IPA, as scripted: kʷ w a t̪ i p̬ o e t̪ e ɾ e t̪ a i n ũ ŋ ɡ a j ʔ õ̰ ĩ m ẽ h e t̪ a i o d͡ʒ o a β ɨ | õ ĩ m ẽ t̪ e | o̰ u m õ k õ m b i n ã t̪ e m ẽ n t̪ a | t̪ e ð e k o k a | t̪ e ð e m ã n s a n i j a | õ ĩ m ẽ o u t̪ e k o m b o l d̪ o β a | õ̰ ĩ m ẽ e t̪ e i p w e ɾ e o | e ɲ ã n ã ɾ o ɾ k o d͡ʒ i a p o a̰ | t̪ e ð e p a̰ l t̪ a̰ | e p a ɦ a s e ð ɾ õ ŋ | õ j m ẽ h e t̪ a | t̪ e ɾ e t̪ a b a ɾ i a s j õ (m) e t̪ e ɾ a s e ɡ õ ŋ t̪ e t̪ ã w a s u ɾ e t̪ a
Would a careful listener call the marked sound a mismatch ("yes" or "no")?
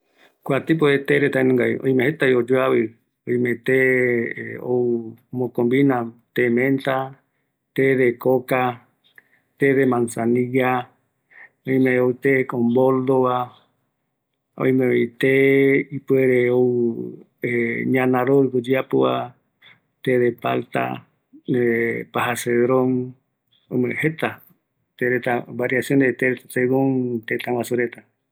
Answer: yes